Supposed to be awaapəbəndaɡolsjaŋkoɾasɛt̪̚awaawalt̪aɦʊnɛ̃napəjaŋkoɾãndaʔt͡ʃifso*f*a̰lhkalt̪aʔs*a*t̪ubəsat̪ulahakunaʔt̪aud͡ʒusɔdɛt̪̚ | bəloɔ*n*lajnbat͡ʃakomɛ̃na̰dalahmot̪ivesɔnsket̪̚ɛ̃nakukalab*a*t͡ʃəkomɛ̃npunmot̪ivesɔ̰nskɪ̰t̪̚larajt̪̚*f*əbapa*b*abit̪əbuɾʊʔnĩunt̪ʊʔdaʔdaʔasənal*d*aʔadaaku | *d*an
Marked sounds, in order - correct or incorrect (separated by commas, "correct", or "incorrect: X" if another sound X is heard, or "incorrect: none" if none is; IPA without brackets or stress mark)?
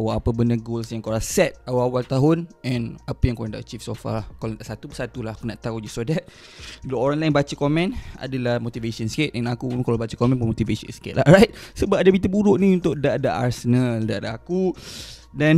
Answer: correct, correct, correct, correct, incorrect: s, incorrect: d, correct, correct